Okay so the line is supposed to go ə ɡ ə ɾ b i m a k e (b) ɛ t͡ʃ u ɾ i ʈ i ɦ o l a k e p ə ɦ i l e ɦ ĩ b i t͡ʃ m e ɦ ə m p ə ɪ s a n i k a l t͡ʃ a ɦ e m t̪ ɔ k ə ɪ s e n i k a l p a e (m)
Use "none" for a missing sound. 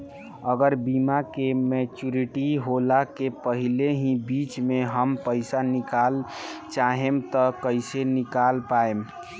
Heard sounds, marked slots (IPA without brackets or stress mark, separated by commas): m, m